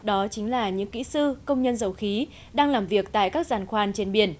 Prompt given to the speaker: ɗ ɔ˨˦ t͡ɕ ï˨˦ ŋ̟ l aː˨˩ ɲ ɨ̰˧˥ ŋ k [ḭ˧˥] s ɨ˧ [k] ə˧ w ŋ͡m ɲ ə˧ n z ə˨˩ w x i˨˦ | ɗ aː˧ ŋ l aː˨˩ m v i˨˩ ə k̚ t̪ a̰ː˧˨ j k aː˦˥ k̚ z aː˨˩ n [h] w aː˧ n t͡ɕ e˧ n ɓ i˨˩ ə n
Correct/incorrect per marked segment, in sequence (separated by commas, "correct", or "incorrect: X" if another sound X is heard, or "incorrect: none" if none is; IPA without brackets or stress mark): correct, correct, incorrect: x